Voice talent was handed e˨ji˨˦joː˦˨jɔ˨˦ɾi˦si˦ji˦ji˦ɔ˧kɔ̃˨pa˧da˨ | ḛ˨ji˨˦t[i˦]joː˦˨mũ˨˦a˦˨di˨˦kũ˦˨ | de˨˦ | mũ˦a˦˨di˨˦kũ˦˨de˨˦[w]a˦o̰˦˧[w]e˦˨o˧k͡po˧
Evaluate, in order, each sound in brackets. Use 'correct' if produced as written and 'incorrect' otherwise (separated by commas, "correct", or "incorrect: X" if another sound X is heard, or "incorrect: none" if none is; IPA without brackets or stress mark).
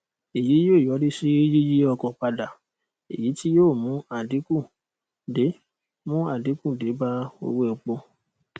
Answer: correct, incorrect: b, correct